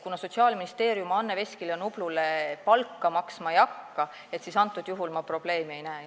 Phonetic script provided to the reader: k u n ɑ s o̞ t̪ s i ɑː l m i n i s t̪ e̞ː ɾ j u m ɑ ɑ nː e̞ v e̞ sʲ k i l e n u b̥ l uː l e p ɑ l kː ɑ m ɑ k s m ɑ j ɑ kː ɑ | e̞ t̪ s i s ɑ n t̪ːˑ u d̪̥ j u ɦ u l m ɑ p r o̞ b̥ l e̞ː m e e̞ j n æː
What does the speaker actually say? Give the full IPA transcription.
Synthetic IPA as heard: k u n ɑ s o̞ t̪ s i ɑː l m i n i s t̪ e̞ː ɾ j u m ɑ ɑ nː e̞ v e̞ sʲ k i l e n u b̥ l u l e p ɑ l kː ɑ m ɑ k s m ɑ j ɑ kː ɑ | e̞ t̪ s i s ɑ n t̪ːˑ u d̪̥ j u ɦ u l m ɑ p r o̞ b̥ l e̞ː m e e̞ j n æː